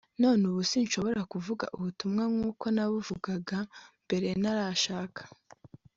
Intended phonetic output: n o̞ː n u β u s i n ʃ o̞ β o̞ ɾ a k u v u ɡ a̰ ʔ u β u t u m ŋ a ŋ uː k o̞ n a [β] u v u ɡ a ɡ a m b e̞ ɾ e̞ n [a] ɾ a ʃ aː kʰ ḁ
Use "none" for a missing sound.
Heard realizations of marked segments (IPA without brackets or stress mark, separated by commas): β, a